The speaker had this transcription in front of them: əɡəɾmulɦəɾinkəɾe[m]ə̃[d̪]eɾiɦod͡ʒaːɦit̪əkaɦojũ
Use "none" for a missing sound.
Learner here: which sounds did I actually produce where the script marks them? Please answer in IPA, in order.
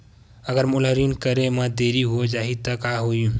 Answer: m, d̪

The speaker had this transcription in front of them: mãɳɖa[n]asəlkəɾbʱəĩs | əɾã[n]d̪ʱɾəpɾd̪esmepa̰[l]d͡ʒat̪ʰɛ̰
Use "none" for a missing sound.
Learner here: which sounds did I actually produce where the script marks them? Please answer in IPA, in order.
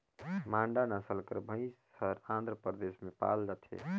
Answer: n, n, l

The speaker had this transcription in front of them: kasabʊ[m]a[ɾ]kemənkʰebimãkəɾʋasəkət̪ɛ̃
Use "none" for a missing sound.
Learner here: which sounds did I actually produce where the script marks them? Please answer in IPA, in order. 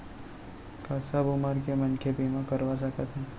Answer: m, ɾ

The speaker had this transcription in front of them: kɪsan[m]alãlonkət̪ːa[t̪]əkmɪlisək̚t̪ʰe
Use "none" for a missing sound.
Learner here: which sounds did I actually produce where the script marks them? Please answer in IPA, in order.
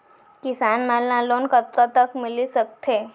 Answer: m, t̪

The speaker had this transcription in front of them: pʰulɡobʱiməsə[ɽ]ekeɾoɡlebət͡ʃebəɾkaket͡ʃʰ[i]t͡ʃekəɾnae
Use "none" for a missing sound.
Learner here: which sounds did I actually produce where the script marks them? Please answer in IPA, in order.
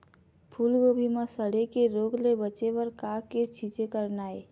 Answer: ɽ, i

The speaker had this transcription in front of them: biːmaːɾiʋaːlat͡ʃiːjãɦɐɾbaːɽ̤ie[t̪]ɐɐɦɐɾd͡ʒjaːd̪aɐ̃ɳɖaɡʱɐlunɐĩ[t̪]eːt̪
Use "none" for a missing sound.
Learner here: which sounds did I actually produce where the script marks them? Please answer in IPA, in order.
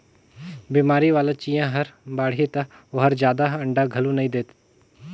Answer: t̪, d̪

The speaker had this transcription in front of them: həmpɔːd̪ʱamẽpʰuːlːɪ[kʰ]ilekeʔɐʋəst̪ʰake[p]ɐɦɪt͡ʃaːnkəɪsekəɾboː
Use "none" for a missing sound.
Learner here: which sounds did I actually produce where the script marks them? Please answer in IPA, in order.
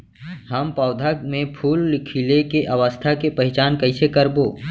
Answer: kʰ, p

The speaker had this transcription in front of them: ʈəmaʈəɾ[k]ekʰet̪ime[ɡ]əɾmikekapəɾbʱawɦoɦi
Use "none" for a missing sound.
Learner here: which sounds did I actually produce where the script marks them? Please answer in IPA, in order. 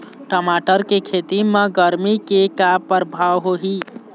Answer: k, ɡ

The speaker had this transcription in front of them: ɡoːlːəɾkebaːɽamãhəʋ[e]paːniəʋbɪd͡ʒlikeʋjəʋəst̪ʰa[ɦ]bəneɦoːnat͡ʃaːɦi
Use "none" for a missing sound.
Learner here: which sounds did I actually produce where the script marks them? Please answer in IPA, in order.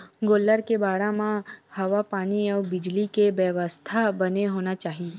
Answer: a, none

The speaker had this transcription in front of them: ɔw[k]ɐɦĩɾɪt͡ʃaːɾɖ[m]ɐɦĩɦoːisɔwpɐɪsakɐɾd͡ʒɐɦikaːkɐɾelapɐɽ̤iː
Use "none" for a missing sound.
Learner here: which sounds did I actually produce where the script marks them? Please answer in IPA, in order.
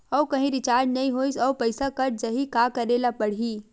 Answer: k, n

